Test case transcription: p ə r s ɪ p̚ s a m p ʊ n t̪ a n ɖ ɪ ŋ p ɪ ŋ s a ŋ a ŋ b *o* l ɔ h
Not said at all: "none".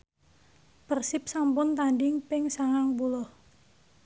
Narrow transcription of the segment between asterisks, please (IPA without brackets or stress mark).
u